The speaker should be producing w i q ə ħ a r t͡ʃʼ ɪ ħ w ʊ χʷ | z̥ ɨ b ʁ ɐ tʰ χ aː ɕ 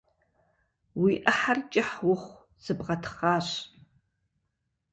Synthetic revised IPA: w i ʔ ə ħ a r t͡ʃʼ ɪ ħ w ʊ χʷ | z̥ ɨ b ʁ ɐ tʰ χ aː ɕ